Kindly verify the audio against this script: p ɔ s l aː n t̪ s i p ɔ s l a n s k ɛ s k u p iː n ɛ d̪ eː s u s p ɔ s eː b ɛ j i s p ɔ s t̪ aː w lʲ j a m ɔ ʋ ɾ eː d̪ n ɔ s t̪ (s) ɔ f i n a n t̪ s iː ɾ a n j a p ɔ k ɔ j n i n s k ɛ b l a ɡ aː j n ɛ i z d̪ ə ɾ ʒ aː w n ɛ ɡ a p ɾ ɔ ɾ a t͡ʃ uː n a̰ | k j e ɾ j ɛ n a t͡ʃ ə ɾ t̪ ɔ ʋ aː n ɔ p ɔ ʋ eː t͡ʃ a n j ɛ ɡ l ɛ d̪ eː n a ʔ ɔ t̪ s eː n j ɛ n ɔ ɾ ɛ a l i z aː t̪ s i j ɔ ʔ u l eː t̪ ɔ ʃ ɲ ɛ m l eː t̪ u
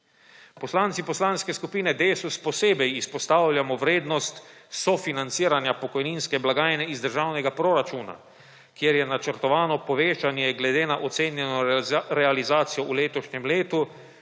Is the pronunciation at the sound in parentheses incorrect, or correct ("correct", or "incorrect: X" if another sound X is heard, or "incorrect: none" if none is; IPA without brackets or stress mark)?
correct